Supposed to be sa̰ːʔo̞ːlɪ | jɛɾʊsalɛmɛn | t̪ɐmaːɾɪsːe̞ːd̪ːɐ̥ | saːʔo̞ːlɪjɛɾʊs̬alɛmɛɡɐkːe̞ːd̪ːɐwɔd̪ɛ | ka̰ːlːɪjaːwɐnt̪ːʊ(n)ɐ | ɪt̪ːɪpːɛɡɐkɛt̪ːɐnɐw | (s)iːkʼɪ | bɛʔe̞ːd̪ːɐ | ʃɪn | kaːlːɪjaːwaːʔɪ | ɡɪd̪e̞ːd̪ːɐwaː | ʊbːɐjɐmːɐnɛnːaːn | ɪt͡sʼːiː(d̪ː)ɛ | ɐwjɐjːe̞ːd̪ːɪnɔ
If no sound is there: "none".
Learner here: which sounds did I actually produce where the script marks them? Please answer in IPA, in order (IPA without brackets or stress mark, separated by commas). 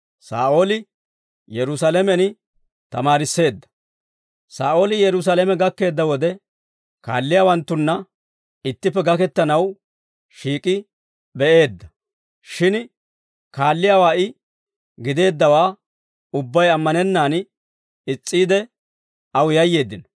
nː, ʃ, d̪